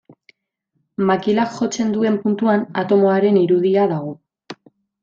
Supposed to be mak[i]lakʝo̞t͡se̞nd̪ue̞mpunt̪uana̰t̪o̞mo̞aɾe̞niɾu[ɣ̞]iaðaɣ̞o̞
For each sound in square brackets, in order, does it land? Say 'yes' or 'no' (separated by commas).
yes, no